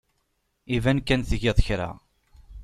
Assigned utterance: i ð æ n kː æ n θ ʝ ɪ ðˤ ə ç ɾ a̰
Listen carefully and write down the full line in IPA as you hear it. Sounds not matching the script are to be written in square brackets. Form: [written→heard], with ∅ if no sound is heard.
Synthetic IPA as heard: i [ð→v] æ n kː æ n θ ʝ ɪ ðˤ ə ç ɾ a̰